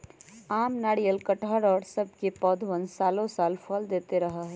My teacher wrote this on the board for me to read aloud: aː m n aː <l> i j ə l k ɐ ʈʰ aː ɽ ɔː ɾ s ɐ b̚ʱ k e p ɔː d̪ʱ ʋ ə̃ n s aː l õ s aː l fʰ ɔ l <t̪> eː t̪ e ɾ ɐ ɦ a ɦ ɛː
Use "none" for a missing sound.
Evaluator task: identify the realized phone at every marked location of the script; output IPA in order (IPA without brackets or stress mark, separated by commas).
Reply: ɽ, d̪